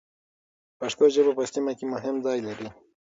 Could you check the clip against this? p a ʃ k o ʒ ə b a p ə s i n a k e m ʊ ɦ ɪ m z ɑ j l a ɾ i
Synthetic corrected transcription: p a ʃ k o ʒ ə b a p ə s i m a k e m ʊ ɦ ɪ m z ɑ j l a ɾ i

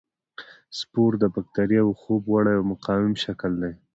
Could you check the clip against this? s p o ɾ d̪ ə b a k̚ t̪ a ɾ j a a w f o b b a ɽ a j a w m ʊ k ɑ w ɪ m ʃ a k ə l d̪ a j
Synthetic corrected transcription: s p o ɾ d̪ ə b a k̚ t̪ a ɾ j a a w x o b w a ɽ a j a w m ʊ q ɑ w ɪ m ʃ a k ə l d̪ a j

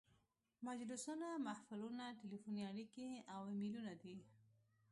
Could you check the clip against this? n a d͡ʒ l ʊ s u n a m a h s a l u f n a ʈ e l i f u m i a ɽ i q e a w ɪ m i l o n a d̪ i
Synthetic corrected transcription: m a d͡ʒ l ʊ s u n a m a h f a l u n a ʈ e l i f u n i a ɽ i k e a w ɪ m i l u n a d̪ i

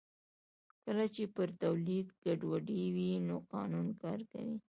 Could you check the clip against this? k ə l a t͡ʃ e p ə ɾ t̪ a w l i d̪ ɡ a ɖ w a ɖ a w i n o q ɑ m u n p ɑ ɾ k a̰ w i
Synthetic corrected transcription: k ə l a t͡ʃ e p ə ɾ t̪ a w l i d̪ ɡ a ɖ w a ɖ i w i n o q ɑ n u n k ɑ ɾ k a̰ w i

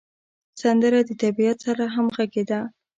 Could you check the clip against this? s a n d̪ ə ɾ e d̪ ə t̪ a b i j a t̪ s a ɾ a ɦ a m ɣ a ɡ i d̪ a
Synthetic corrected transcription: s a n d̪ ə ɾ a d̪ ə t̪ a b i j a t̪ s a ɾ a ɦ a m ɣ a ɡ e d̪ a

